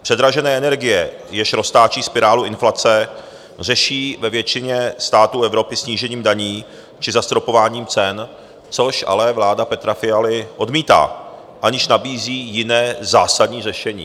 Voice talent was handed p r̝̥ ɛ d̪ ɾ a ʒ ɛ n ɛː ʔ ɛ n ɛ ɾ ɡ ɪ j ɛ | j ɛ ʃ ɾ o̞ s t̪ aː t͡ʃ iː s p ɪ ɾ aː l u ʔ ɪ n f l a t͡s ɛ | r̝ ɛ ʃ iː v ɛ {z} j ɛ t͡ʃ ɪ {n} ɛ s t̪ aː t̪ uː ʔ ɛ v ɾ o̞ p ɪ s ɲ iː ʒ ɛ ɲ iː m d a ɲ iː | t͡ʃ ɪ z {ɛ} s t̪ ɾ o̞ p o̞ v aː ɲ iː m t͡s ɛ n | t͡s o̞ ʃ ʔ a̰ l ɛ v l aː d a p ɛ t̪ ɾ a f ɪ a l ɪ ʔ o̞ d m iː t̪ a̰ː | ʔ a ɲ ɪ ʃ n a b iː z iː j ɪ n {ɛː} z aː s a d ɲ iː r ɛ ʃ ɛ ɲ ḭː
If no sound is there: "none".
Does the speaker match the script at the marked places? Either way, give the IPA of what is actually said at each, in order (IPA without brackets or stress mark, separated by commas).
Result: v, ɲ, a, ɛː